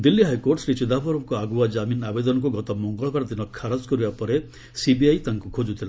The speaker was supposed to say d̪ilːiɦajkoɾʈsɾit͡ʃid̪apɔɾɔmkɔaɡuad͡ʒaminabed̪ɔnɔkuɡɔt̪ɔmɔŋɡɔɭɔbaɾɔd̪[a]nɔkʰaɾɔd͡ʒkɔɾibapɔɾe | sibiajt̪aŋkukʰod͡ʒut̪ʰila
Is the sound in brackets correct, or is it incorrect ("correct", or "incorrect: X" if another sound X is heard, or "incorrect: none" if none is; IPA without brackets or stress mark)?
incorrect: i